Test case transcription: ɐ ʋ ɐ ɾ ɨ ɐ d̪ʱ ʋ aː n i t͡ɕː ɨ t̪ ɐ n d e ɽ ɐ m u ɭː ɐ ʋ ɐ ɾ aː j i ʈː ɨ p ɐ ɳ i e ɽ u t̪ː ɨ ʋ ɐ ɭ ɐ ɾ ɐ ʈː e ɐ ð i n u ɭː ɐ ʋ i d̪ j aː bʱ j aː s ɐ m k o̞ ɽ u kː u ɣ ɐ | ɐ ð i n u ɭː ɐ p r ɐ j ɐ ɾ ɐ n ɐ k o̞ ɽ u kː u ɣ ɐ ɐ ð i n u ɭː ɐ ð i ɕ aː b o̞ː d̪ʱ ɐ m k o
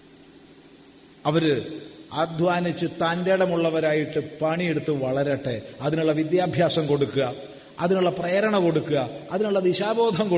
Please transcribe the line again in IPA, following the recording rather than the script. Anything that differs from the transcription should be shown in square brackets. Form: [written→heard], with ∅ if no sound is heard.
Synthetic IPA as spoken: ɐ ʋ ɐ ɾ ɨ ɐ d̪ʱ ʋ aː n i t͡ɕː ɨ t̪ ɐ n d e ɽ ɐ m u ɭː ɐ ʋ ɐ ɾ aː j i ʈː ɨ p ɐ ɳ i e ɽ u t̪ː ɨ ʋ ɐ ɭ ɐ ɾ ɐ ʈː e ɐ ð i n u ɭː ɐ ʋ i d̪ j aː bʱ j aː s ɐ m k o̞ ɽ u kː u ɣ ɐ | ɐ ð i n u ɭː ɐ p r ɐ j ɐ ɾ ɐ [n→ɳ] ɐ k o̞ ɽ u kː u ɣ ɐ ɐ ð i n u ɭː ɐ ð i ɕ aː b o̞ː d̪ʱ ɐ m k o